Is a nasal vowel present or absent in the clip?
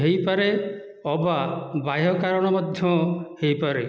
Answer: absent